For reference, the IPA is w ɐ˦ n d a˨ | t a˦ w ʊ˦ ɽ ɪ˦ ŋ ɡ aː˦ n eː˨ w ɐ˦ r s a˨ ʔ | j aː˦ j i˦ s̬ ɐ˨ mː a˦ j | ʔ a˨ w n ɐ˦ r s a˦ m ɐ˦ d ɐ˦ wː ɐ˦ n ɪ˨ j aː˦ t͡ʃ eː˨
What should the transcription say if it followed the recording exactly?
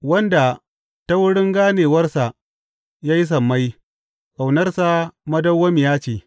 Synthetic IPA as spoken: w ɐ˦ n d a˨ | t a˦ w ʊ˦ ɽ ɪ˦ ŋ ɡ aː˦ n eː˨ w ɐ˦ r s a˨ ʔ | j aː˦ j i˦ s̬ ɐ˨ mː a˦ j | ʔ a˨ w n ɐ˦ r s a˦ m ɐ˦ d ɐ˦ wː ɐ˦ m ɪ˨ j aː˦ t͡ʃ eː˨